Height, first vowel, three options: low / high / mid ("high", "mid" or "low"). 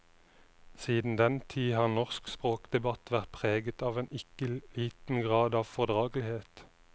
high